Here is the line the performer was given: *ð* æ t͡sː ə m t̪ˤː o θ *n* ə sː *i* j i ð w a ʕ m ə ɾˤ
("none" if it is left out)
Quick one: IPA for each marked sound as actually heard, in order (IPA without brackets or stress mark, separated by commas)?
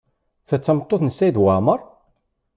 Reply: θ, n, æ